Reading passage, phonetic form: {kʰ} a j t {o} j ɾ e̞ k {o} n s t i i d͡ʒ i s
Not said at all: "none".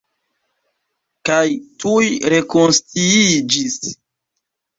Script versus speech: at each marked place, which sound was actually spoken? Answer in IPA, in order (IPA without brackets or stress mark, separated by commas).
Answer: k, u, o